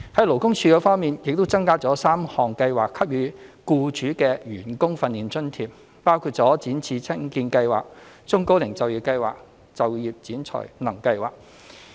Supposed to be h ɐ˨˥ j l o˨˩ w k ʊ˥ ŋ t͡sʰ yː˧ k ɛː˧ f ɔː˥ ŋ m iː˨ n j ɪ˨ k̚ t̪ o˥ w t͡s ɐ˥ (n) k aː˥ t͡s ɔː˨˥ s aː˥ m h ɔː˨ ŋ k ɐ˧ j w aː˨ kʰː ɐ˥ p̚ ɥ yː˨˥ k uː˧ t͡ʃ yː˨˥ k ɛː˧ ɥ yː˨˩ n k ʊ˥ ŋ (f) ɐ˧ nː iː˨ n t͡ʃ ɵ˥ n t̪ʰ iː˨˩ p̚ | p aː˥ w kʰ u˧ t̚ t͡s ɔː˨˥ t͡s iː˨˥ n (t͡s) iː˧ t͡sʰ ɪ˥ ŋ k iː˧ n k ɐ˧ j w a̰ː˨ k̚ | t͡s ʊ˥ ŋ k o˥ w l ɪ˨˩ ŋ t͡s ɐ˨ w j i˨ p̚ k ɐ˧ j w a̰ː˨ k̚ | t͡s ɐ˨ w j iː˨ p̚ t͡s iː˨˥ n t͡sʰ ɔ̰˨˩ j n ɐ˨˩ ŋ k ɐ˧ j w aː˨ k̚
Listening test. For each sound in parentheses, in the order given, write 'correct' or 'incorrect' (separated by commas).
incorrect, correct, incorrect